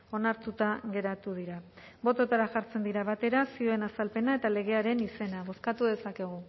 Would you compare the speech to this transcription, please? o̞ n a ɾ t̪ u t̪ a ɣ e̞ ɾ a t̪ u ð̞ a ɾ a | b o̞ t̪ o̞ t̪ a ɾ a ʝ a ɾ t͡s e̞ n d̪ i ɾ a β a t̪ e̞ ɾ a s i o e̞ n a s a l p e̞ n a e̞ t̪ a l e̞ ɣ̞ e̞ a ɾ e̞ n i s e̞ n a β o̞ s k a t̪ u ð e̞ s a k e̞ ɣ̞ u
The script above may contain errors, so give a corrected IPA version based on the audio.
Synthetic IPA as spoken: o̞ n a ɾ t̪ u t̪ a ɣ e̞ ɾ a t̪ u ð̞ i ɾ a | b o̞ t̪ o̞ t̪ a ɾ a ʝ a ɾ t͡s e̞ n d̪ i ɾ a β a t̪ e̞ ɾ a s i o e̞ n a s a l p e̞ n a e̞ t̪ a l e̞ ɣ̞ e̞ a ɾ e̞ n i s e̞ n a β o̞ s k a t̪ u ð e̞ s a k e̞ ɣ̞ u